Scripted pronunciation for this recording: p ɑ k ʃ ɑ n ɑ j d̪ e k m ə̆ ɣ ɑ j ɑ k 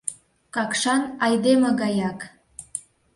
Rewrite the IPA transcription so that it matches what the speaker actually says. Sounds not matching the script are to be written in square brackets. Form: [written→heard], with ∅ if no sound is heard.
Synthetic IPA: [p→k] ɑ k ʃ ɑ n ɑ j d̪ e [k→∅] m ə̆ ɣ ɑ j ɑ k